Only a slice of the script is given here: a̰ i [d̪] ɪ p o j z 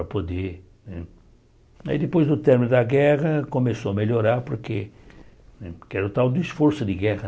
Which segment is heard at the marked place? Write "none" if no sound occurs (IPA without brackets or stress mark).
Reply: d̪